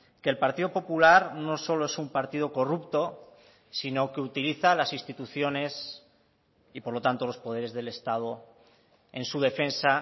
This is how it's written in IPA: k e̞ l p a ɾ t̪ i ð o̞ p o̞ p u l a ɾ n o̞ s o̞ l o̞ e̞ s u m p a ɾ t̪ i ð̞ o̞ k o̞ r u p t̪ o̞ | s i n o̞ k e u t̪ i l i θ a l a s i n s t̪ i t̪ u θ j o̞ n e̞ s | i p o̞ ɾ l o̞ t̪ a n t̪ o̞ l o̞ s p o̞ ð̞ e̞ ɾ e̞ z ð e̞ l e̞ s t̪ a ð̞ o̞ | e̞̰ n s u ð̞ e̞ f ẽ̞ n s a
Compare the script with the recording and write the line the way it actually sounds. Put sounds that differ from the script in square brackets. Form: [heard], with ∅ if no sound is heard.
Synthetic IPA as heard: k e̞ l p a ɾ t̪ i ð o̞ p o̞ p u l a ɾ n o̞ s o̞ l o̞ e̞ s u m p a ɾ t̪ i ð̞ o̞ k o̞ r u p t̪ o̞ | s i n o̞ k e u t̪ i l i θ a l a s i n s t̪ i t̪ u θ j o̞ n e̞ s | i p o̞ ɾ l o̞ t̪ a n t̪ o̞ l o̞ s p o̞ ð̞ e̞ ɾ e̞ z ð e̞ l e̞ s t̪ a ð̞ o̞ | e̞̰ n s u ð̞ e̞ f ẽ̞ n s a